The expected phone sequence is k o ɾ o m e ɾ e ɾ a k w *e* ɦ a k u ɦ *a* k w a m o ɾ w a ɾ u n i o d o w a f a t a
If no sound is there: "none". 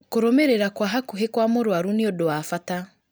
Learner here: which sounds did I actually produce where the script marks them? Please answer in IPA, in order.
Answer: a, e

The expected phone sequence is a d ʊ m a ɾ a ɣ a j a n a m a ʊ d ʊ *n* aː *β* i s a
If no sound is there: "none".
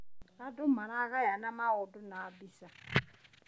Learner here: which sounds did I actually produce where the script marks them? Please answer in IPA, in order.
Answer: n, b

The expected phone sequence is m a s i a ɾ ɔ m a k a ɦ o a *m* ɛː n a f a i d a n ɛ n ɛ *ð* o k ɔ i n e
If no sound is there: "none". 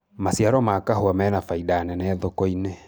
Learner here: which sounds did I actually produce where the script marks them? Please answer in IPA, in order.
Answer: m, ð

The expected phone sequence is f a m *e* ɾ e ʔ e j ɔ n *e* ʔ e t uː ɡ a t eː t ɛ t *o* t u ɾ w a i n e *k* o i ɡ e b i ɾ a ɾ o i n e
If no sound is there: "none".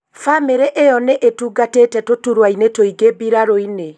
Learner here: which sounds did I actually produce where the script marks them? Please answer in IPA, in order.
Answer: e, e, o, t

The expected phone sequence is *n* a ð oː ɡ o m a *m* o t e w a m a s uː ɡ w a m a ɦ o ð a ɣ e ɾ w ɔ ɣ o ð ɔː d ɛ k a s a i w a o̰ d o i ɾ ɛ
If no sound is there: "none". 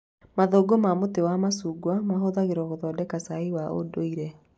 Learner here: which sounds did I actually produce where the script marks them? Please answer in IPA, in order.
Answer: m, m

